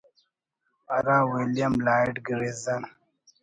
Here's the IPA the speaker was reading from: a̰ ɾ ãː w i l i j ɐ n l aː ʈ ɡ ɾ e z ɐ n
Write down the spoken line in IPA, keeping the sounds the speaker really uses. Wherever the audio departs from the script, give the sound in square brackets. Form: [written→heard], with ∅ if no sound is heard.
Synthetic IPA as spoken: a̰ ɾ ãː w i l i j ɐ [n→m] l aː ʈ ɡ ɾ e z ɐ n